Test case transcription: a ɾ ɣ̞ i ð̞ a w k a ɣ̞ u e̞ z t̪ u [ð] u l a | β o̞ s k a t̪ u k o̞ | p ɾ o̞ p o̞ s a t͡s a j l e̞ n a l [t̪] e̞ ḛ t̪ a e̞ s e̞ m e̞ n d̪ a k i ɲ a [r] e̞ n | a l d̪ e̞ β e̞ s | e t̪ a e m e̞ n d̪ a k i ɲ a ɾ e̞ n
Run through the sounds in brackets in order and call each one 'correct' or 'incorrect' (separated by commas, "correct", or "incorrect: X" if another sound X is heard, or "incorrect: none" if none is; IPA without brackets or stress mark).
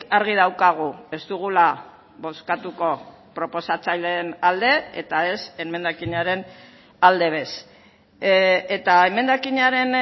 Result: incorrect: ɣ, incorrect: d̪, incorrect: ɾ